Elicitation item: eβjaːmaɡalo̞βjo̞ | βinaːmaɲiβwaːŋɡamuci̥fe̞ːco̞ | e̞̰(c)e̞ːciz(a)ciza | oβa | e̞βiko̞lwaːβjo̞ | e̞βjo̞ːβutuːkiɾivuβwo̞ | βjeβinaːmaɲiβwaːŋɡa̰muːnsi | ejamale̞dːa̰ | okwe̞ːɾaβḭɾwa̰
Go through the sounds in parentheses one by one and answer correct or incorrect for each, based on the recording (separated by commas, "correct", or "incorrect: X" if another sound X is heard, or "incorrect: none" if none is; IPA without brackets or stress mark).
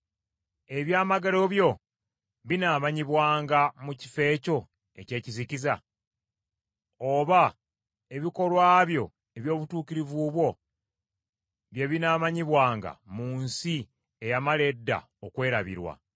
correct, incorrect: i